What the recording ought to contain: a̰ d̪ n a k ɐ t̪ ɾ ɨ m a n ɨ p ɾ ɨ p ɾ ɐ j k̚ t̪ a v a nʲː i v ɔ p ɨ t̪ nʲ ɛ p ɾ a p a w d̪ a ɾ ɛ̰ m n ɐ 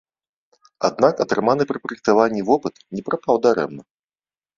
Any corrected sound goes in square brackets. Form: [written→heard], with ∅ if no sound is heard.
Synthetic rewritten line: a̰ d̪ n a k ɐ t̪ ɾ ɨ m a n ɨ p ɾ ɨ p ɾ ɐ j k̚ t̪ a v a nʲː i v ɔ p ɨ t̪ nʲ ɛ p ɾ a p a w d̪ a ɾ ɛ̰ m n ɐ